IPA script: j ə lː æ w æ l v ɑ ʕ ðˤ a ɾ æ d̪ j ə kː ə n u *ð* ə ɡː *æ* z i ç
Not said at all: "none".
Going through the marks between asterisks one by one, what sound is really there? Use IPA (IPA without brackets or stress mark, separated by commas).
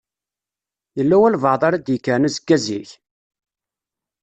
z, æ